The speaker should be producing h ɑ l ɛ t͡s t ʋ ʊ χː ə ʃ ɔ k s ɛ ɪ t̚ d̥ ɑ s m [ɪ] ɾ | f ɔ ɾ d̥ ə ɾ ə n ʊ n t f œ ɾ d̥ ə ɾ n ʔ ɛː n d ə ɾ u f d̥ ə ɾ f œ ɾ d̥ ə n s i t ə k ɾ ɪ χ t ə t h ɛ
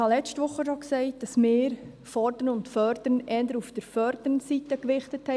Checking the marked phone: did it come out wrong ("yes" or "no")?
yes